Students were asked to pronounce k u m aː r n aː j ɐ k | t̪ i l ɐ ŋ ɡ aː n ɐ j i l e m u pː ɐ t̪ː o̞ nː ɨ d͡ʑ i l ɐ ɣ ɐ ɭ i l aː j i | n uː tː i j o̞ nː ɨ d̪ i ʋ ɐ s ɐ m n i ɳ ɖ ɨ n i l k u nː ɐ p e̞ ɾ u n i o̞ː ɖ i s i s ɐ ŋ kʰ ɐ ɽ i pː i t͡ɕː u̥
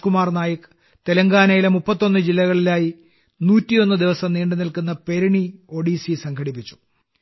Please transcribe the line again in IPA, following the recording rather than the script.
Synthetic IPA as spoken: k u m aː r n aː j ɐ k | t̪ e l ɐ ŋ ɡ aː n ɐ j i l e m u pː ɐ t̪ː o̞ nː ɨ d͡ʑ i lː ɐ ɣ ɐ ɭ i l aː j i | n uː tː i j o̞ nː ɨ d̪ i ʋ ɐ s ɐ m n iː ɳ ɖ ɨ n i l k u nː ɐ p e̞ ɾ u ɳ i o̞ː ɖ i s i s ɐ ŋ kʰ ɐ ɽ i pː i t͡ɕː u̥

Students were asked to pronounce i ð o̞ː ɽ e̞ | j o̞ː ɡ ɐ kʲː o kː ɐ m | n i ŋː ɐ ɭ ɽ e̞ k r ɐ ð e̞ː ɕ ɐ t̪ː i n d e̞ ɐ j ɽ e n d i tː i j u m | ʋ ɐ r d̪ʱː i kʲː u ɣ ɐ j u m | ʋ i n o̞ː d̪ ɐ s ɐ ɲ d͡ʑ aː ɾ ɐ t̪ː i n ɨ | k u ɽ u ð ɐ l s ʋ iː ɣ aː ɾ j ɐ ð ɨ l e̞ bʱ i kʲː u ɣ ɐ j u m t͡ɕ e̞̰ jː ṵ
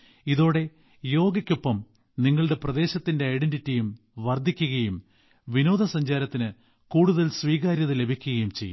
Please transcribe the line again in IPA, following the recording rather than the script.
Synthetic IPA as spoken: i ð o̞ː ɽ e̞ | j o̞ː ɡ ɐ kʲː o pː ɐ m | n i ŋː ɐ ɭ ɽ e̞ p r ɐ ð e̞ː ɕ ɐ t̪ː i n d e̞ ɐ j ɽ e n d i tː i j u m | ʋ ɐ r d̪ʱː i kʲː u ɣ ɐ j u m | ʋ i n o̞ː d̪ ɐ s ɐ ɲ d͡ʑ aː ɾ ɐ t̪ː i n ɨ | k uː ɽ u ð ɐ l s ʋ iː ɣ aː ɾ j ɐ ð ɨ l e̞ bʱ i kʲː u ɣ ɐ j u m t͡ɕ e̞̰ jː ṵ

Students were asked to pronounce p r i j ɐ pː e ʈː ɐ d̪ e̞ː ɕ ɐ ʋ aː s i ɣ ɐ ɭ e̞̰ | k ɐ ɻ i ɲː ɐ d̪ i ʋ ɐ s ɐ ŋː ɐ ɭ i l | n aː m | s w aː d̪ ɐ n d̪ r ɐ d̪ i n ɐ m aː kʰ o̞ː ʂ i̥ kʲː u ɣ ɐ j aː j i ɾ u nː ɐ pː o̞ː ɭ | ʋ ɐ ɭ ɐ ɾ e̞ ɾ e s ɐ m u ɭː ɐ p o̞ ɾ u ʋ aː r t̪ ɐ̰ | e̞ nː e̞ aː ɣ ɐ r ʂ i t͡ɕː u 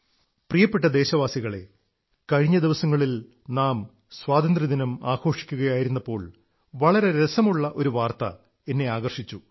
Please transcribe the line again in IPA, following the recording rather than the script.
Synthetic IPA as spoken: p r i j ɐ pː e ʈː ɐ d̪ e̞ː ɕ ɐ ʋ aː s i ɣ ɐ ɭ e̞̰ | k ɐ ɻ i ɲː ɐ d̪ i ʋ ɐ s ɐ ŋː ɐ ɭ i l | n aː m | s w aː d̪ ɐ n d̪ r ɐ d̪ i n ɐ m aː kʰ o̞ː ʂ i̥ kʲː u ɣ ɐ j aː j i ɾ u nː ɐ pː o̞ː ɭ | ʋ ɐ ɭ ɐ ɾ e̞ ɾ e s ɐ m u ɭː ɐ ʔ o̞ ɾ u ʋ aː r t̪ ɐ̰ | e̞ nː e̞ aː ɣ ɐ r ʂ i t͡ɕː u

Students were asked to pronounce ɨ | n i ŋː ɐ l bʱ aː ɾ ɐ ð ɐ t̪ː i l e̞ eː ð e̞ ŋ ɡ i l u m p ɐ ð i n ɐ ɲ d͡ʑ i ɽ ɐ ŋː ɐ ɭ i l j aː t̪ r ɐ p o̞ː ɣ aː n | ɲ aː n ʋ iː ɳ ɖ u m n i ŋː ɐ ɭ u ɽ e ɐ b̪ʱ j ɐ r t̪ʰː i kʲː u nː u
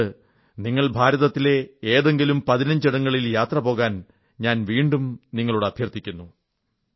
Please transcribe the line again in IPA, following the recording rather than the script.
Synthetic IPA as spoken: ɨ | n i ŋː ɐ ɭ bʱ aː ɾ ɐ ð ɐ t̪ː i l e̞ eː ð e̞ ŋ ɡ i l u m p ɐ ð i n ɐ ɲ d͡ʑ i ɽ ɐ ŋː ɐ ɭ i l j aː t̪ r ɐ p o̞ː ɣ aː n | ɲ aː n ʋ iː ɳ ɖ u m n i ŋː ɐ ɭ u ɽ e ɐ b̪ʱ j ɐ r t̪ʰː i kʲː u nː u

